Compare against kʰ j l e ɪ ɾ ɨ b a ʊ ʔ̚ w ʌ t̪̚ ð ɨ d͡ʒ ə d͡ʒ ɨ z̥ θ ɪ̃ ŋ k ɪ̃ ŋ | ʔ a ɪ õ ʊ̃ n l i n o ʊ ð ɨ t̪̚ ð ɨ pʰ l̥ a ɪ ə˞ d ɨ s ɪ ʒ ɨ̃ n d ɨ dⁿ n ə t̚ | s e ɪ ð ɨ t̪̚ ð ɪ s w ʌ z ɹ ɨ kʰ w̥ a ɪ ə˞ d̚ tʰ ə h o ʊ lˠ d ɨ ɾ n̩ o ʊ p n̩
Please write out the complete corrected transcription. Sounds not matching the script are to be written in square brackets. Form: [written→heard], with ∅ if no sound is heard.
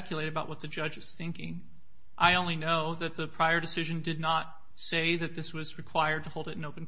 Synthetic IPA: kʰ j l e ɪ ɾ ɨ b a ʊ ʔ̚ w ʌ t̪̚ ð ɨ d͡ʒ [ə→ʌ] d͡ʒ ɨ z̥ θ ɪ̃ ŋ k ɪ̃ ŋ | ʔ a ɪ õ ʊ̃ n l i n o ʊ ð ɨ t̪̚ ð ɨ pʰ [l̥→ɹ̥] a ɪ ə˞ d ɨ s ɪ ʒ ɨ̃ n d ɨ dⁿ n ə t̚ | s e ɪ ð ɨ t̪̚ ð ɪ s w ʌ z ɹ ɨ kʰ w̥ a ɪ ə˞ d̚ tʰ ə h o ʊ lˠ d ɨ ɾ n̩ o ʊ p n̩